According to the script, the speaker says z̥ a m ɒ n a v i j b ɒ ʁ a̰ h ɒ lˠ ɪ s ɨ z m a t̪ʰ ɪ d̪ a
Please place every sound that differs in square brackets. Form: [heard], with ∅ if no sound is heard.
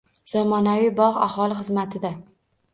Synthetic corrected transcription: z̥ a m ɒ n a v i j b ɒ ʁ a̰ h ɒ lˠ ɪ [χ] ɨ z m a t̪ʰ ɪ d̪ a